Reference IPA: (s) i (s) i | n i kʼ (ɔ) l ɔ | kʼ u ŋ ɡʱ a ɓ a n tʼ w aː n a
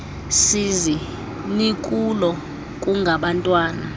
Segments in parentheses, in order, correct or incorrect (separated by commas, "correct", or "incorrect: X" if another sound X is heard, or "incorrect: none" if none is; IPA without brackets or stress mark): correct, incorrect: z, incorrect: u